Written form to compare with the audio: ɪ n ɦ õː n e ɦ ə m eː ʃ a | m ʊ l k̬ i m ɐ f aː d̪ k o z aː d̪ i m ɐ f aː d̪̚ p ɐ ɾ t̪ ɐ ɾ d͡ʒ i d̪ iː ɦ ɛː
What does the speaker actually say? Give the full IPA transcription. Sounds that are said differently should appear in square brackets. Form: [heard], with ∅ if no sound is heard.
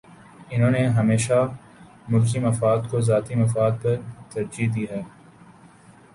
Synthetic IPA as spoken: ɪ n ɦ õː n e ɦ [ɐ] m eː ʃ a | m ʊ l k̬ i m ɐ f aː d̪ k o z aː [t̪] i m ɐ f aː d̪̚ p ɐ ɾ t̪ ɐ ɾ d͡ʒ i d̪ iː ɦ ɛː